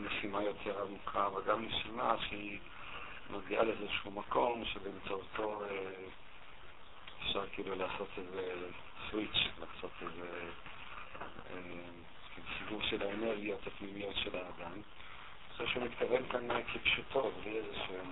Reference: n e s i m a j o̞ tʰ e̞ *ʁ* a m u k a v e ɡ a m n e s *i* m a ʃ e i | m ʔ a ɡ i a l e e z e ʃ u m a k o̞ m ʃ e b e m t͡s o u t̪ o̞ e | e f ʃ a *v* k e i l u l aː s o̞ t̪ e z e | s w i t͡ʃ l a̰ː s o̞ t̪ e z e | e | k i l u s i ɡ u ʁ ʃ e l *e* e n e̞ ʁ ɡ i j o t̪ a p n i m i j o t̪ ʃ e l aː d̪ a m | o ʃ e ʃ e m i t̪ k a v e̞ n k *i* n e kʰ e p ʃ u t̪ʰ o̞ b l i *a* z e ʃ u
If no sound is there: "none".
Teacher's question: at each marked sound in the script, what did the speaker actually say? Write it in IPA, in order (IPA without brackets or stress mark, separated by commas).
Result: ʁ, i, ʁ, a, a, e